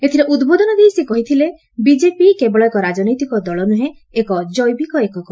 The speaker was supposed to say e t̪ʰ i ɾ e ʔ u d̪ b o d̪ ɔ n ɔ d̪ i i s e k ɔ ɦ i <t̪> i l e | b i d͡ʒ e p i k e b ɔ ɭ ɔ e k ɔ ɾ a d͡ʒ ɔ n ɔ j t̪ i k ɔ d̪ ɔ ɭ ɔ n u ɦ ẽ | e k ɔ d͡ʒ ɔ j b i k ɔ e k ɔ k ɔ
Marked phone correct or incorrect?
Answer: incorrect